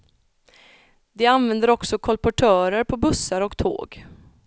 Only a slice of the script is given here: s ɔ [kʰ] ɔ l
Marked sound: correct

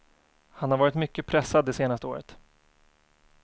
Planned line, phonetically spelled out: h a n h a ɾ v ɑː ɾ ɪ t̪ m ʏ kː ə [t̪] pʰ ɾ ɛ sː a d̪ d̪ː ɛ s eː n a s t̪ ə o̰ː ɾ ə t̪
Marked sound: incorrect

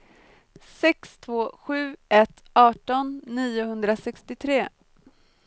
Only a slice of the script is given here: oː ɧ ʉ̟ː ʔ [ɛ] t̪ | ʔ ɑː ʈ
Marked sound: correct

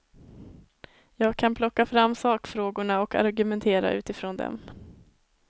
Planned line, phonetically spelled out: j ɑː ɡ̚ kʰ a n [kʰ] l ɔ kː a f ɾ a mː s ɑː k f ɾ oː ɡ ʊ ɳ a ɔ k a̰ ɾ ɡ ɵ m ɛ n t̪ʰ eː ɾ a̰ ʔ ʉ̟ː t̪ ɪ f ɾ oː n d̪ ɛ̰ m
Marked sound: incorrect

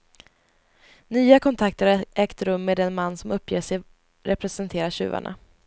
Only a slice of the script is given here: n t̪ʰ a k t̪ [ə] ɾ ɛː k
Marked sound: correct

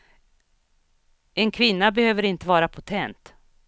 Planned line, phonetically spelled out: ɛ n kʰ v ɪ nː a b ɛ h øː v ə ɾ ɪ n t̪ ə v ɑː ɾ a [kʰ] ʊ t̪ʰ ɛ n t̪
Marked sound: incorrect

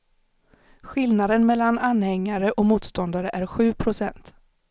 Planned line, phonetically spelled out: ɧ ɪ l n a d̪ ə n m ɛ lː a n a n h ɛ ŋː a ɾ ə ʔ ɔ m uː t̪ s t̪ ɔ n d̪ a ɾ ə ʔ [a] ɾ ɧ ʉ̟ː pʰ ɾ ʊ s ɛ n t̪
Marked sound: incorrect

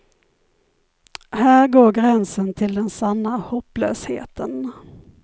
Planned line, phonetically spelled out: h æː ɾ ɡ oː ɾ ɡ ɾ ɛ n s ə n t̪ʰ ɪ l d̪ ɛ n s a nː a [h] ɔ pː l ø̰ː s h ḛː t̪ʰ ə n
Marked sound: correct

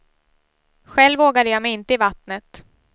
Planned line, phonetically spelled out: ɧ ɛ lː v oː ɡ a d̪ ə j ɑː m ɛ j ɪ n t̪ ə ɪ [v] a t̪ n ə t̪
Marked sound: correct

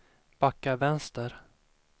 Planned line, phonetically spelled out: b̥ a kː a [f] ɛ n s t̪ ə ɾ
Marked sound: incorrect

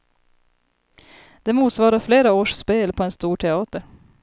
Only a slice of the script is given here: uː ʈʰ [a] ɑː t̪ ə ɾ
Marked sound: incorrect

